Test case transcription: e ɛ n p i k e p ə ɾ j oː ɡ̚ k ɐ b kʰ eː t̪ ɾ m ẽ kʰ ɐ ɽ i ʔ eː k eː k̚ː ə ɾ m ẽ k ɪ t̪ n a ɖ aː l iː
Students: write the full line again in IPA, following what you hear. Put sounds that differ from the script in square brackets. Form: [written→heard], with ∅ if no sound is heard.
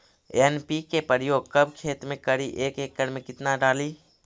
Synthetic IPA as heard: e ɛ n p i k e p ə ɾ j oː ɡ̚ k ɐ b kʰ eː t̪ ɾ m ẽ [kʰ→k] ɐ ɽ i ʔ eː k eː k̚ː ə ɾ m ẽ k ɪ t̪ n a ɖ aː l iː